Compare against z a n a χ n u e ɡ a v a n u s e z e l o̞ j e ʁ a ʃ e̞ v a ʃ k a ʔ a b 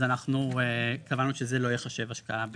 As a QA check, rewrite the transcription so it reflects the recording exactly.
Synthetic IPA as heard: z a n a χ n u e k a v a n u ʃ e z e l o̞ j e χ a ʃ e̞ v a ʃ k a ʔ a b